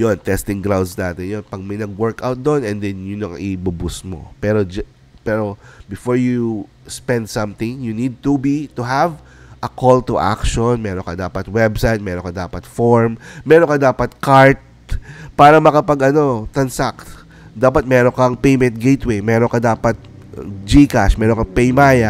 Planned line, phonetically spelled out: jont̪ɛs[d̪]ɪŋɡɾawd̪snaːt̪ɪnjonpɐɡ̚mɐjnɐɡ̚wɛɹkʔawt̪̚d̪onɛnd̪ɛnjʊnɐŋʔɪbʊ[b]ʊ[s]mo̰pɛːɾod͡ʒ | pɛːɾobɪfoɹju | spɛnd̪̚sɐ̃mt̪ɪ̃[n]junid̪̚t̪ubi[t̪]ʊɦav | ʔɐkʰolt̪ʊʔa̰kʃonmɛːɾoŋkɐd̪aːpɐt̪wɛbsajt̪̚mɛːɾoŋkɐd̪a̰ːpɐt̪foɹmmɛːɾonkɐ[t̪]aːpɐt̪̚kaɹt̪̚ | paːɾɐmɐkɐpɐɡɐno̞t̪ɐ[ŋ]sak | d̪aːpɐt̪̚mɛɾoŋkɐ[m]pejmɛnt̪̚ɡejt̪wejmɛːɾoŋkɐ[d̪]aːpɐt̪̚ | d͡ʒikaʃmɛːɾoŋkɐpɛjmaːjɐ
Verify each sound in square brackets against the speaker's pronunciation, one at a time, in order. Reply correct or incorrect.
incorrect, correct, correct, incorrect, correct, incorrect, incorrect, incorrect, correct

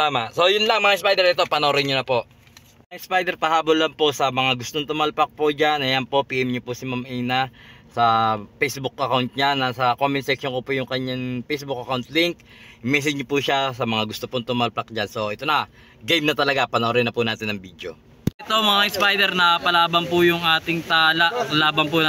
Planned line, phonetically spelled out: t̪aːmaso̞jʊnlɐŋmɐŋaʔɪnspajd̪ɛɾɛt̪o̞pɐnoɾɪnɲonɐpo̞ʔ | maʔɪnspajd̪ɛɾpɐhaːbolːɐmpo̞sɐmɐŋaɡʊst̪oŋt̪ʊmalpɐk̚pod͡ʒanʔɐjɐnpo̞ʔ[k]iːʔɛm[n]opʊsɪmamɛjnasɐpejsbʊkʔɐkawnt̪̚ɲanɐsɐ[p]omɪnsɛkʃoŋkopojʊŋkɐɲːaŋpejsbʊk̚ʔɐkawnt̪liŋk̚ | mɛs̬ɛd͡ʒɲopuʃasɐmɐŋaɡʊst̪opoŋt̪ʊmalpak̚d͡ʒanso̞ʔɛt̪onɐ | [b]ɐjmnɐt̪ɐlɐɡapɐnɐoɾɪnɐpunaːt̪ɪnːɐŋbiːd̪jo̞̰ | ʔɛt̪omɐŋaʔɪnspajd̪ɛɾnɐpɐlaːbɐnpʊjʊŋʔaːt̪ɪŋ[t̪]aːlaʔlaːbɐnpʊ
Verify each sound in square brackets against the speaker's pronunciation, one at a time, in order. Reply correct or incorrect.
incorrect, incorrect, incorrect, incorrect, correct

